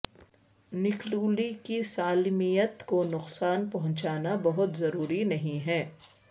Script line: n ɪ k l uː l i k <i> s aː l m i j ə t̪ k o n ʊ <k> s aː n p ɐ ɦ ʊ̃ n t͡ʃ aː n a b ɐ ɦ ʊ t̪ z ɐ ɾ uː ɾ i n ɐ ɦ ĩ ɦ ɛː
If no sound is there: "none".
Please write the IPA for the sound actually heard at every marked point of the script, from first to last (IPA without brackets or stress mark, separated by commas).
i, q